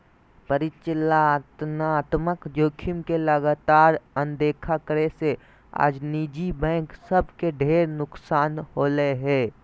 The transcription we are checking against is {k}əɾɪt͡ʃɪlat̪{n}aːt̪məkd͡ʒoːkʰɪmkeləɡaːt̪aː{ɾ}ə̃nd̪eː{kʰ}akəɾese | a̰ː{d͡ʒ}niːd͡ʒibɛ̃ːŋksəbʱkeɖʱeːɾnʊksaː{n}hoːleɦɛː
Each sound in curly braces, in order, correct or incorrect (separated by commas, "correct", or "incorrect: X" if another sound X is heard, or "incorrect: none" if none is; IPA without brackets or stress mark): incorrect: p, correct, correct, correct, correct, correct